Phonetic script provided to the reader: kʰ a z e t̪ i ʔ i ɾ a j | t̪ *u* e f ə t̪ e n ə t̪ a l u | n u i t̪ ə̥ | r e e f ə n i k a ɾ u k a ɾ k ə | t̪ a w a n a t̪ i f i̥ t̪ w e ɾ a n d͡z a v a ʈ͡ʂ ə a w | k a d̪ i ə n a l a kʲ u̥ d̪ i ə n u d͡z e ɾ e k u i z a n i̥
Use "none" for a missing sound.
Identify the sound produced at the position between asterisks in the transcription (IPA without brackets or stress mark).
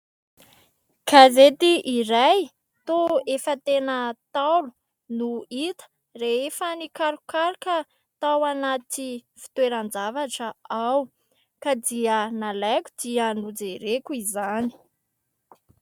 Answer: o